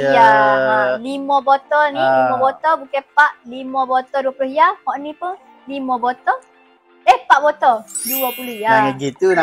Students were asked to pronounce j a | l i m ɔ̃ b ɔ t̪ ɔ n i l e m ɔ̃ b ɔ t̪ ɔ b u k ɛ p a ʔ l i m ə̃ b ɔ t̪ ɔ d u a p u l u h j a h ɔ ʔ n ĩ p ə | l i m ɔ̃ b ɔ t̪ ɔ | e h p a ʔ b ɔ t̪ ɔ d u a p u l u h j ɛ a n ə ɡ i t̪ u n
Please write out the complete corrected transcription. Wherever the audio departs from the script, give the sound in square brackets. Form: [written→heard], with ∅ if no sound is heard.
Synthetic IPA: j a | l i m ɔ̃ b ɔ t̪ ɔ n i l [e→i] m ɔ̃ b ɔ t̪ ɔ b u k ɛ p a ʔ l i m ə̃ b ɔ t̪ ɔ d u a p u l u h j a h ɔ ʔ n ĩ p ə | l i m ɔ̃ b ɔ t̪ ɔ | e h p a ʔ b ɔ t̪ ɔ d u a p u l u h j [ɛ→a] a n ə ɡ i t̪ u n